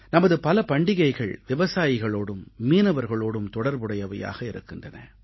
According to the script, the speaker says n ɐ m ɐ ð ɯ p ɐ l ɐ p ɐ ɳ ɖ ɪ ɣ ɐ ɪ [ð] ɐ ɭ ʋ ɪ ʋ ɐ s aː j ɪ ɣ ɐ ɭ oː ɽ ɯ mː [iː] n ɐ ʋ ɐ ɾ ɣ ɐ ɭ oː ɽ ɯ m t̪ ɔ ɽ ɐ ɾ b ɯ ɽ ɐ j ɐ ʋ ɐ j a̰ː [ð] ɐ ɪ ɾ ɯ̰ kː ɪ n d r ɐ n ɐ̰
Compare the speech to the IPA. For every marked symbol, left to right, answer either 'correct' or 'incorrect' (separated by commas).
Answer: incorrect, correct, incorrect